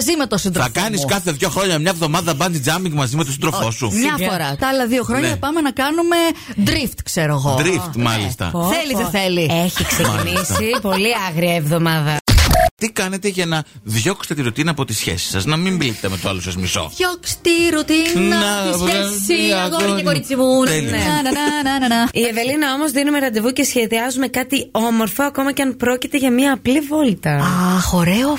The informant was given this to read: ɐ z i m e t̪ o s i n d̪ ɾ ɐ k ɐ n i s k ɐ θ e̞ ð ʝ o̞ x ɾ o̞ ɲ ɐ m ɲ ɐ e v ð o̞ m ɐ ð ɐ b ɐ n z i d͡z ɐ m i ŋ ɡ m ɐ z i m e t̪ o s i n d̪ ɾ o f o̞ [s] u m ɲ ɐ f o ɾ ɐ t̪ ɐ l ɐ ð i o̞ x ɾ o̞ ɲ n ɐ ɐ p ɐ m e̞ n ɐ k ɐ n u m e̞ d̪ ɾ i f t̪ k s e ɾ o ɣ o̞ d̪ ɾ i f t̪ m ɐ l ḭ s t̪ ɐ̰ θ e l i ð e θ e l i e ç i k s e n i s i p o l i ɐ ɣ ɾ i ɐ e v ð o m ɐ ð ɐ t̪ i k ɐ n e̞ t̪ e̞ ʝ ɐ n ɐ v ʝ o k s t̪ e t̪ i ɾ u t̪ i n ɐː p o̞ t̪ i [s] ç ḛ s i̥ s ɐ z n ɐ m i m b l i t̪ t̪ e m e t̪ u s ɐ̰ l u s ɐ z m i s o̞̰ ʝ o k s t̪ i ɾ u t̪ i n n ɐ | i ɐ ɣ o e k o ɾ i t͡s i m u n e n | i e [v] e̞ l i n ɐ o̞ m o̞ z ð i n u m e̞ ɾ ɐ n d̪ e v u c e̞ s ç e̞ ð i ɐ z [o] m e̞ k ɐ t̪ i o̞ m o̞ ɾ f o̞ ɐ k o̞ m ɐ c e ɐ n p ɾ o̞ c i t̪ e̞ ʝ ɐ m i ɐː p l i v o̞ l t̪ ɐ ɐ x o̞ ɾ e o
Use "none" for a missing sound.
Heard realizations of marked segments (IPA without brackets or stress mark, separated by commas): s, s, v, u